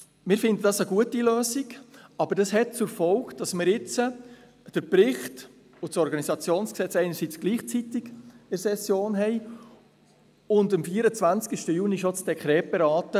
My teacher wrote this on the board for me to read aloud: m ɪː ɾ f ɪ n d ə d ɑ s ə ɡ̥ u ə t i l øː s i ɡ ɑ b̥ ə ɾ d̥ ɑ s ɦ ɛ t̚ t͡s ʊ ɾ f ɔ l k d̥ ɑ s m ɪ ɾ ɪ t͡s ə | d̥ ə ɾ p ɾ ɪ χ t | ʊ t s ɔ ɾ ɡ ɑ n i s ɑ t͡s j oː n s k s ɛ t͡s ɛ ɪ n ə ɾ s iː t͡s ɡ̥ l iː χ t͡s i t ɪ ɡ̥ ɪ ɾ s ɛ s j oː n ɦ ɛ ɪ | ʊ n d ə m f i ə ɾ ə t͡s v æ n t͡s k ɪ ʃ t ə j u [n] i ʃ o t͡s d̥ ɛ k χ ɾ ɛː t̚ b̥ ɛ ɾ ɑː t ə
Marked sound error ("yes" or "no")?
no